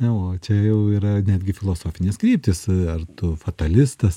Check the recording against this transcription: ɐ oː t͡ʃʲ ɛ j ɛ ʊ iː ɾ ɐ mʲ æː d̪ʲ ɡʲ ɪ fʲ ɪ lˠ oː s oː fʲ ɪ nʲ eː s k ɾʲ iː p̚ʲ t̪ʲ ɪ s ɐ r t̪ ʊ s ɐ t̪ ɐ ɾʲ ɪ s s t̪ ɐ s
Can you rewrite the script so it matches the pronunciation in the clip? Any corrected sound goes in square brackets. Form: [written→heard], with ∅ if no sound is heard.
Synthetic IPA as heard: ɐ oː t͡ʃʲ ɛ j ɛ ʊ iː ɾ ɐ [mʲ→nʲ] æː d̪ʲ ɡʲ ɪ fʲ ɪ lˠ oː s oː fʲ ɪ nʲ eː s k ɾʲ iː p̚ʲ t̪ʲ ɪ s ɐ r t̪ ʊ [s→f] ɐ t̪ ɐ [ɾʲ→lʲ] ɪ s s t̪ ɐ s

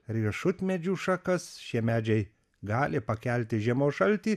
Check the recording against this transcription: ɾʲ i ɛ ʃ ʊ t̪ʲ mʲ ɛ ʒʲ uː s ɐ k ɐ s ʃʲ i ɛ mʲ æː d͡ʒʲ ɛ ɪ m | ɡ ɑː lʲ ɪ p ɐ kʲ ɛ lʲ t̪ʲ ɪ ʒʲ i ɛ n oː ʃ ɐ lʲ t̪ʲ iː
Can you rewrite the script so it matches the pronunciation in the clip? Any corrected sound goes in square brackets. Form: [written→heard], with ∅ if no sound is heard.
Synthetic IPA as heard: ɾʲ i ɛ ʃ ʊ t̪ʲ mʲ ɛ [ʒʲ→d͡ʒʲ] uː [s→ʃ] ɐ k ɐ s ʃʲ i ɛ mʲ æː d͡ʒʲ ɛ ɪ [m→∅] | ɡ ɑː lʲ ɪ p ɐ kʲ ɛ lʲ t̪ʲ ɪ ʒʲ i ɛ [n→m] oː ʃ ɐ lʲ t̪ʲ iː

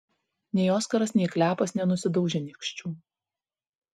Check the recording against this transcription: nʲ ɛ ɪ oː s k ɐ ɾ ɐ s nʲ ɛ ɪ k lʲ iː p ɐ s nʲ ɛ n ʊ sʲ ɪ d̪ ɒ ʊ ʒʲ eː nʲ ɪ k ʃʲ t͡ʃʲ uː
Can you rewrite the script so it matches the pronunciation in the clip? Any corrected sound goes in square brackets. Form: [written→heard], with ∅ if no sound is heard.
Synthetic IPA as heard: nʲ ɛ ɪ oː s k ɐ ɾ ɐ s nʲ ɛ ɪ k lʲ [iː→æː] p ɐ s nʲ ɛ n ʊ sʲ ɪ d̪ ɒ ʊ ʒʲ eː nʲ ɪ k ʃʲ t͡ʃʲ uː

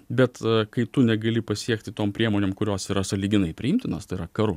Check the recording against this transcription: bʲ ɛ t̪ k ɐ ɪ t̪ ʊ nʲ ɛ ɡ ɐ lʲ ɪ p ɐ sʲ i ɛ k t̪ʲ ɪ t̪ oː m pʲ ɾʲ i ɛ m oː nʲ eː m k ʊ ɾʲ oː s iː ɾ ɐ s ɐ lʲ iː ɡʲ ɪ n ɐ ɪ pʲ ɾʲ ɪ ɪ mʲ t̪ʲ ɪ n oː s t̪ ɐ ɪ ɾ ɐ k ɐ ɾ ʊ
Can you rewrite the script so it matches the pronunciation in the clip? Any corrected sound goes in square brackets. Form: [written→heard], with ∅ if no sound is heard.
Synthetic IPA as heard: bʲ ɛ t̪ k ɐ ɪ t̪ ʊ nʲ ɛ ɡ ɐ lʲ ɪ p ɐ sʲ i ɛ k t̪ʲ ɪ t̪ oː m pʲ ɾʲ i ɛ m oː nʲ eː m k ʊ ɾʲ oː s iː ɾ ɐ s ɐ lʲ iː ɡʲ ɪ n ɐ ɪ pʲ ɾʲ ɪ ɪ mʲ t̪ʲ ɪ n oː s t̪ ɐ ɪ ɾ ɐ k ɐ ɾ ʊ

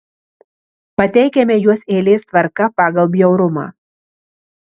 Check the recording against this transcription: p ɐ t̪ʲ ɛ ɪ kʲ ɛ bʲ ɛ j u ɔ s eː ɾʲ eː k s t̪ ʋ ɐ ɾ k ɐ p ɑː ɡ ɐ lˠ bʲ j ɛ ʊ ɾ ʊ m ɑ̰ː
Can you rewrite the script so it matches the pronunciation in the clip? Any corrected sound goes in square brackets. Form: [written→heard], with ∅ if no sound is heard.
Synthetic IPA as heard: p ɐ t̪ʲ ɛ ɪ kʲ ɛ [bʲ→mʲ] ɛ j u ɔ s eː [ɾʲ→lʲ] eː [k→∅] s t̪ ʋ ɐ ɾ k ɐ p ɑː ɡ ɐ lˠ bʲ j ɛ ʊ ɾ ʊ m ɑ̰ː

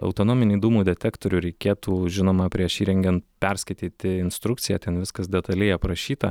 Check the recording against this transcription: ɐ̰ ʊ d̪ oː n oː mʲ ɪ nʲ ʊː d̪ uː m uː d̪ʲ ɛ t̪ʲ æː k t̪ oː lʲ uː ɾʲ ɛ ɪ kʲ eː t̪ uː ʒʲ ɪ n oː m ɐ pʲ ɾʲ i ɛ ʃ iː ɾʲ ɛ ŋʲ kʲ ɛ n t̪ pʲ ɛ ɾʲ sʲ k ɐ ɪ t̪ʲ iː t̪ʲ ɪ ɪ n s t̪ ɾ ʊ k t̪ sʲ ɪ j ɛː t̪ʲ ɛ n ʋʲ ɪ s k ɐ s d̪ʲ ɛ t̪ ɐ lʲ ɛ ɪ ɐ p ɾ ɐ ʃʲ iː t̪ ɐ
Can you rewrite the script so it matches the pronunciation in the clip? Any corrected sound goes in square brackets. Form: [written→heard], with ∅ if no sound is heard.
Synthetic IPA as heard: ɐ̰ ʊ [d̪→t̪] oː n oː mʲ ɪ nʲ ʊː d̪ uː m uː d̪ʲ ɛ t̪ʲ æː k t̪ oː [lʲ→ɾʲ] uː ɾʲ ɛ ɪ kʲ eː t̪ uː ʒʲ ɪ n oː m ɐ pʲ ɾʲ i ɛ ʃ iː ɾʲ ɛ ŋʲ [kʲ→ɡʲ] ɛ n t̪ pʲ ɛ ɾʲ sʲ k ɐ ɪ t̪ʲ iː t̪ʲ ɪ ɪ n s t̪ ɾ ʊ k t̪ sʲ ɪ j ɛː t̪ʲ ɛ n ʋʲ ɪ s k ɐ s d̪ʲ ɛ t̪ ɐ lʲ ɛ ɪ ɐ p ɾ ɐ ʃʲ iː t̪ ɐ

